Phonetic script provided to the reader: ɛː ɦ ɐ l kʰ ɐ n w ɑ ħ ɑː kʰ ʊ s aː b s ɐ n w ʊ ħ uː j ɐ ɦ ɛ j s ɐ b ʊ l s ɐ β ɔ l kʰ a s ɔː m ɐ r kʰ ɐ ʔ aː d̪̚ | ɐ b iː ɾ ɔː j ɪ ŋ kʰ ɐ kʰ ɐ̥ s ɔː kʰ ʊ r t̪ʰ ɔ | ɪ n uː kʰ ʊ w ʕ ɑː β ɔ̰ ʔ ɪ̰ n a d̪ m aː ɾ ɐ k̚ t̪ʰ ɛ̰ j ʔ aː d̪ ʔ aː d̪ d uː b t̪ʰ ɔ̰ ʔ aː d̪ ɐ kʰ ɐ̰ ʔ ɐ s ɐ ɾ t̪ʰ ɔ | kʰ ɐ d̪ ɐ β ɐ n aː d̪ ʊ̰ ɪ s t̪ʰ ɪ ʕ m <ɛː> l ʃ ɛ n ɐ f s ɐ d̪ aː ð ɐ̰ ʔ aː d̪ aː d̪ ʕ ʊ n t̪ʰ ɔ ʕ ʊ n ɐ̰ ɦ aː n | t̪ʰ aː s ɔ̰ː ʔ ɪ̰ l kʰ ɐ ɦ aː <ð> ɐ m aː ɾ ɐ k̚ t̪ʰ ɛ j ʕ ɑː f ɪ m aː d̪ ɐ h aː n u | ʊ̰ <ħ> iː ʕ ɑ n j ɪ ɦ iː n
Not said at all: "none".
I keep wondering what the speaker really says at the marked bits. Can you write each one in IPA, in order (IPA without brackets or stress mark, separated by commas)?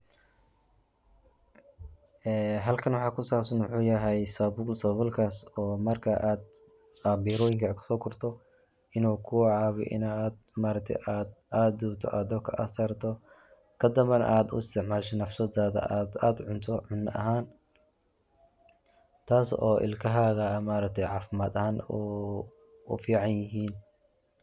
aː, ɣ, f